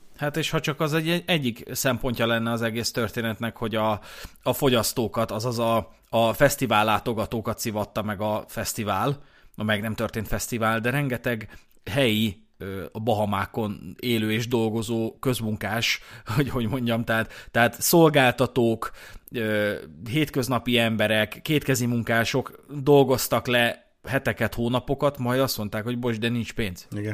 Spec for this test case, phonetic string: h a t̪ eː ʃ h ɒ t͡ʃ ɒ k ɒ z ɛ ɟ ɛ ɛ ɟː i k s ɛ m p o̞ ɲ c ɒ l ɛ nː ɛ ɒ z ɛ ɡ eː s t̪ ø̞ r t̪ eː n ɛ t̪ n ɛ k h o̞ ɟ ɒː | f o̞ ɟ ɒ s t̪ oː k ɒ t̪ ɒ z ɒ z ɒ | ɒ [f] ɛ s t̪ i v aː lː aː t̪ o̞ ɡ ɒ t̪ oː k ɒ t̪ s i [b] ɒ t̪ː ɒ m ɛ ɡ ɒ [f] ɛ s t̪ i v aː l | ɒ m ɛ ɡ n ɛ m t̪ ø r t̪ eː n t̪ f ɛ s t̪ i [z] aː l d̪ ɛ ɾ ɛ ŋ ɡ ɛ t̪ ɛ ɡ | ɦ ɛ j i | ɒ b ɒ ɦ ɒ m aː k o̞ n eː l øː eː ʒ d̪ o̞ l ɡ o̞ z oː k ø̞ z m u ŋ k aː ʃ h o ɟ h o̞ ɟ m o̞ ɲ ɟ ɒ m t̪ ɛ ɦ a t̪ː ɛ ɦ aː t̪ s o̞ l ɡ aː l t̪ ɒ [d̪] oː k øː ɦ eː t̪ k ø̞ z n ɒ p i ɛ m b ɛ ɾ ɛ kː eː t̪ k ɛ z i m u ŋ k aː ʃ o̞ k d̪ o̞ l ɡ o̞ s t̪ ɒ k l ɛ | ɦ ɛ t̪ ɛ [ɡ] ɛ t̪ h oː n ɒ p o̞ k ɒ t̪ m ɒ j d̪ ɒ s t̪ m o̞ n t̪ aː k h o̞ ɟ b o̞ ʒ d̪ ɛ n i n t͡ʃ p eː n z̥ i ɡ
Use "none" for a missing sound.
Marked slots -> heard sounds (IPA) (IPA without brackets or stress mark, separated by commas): f, v, f, v, t̪, k